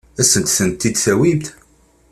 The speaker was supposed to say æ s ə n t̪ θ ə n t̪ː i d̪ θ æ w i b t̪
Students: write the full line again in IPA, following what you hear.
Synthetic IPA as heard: æ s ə n t̪ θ ə n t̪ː i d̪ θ æ w i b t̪